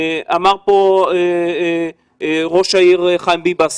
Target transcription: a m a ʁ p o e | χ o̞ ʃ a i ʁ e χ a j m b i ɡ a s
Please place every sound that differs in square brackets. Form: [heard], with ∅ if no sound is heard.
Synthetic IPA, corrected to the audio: a m a ʁ p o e | [ʁ] o̞ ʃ a i ʁ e χ a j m b i [b] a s